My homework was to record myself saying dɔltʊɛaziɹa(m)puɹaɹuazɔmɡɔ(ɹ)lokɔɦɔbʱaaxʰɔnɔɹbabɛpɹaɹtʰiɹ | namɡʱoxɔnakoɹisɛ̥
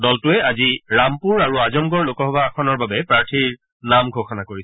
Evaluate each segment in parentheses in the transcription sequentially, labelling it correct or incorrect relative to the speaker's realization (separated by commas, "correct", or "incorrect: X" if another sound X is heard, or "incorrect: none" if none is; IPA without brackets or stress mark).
correct, correct